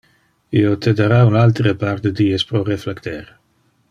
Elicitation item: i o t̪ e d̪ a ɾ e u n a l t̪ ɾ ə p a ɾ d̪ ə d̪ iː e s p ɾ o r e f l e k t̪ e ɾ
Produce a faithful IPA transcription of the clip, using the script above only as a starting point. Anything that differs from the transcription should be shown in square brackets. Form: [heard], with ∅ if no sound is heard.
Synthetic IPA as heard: i o t̪ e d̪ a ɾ [a] u n a l t̪ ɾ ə p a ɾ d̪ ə d̪ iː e s p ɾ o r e f l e k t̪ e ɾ